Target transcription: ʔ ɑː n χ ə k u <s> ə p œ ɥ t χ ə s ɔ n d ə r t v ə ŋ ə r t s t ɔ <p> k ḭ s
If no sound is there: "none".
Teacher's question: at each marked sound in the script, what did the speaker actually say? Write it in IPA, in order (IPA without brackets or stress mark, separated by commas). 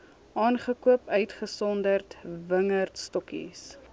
none, none